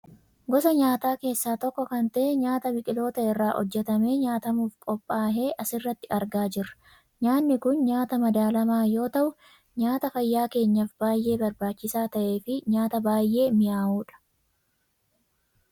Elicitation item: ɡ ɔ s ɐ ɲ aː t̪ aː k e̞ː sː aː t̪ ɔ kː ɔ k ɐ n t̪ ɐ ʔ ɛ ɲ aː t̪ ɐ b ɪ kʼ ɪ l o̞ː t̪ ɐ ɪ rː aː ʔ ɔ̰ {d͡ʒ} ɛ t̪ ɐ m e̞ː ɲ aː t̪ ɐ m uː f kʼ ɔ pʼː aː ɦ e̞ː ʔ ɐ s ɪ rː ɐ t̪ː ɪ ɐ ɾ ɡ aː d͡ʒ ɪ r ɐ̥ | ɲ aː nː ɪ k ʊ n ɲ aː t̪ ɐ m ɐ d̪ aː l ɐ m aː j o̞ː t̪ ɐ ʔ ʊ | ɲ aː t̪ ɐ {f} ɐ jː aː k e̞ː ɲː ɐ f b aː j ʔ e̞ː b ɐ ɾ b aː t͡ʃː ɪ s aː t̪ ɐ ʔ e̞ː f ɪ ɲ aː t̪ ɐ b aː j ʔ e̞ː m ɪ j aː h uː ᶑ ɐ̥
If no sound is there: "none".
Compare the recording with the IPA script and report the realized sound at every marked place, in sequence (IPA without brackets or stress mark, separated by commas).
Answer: d͡ʒː, f